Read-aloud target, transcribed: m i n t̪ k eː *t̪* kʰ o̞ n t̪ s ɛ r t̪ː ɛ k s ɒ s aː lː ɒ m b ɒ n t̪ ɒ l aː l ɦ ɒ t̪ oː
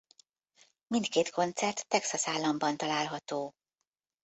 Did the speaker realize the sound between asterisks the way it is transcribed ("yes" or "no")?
yes